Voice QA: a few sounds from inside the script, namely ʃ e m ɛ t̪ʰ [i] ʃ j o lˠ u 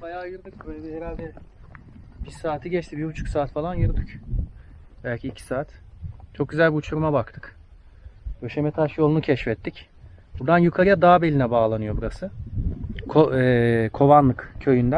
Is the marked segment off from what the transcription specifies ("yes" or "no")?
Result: yes